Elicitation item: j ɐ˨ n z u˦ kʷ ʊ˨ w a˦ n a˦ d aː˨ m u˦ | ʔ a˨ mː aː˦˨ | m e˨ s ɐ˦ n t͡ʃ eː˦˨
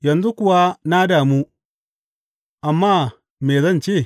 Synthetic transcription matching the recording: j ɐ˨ n z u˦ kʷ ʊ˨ w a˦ n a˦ d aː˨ m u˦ | ʔ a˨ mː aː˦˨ | m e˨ z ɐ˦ n t͡ʃ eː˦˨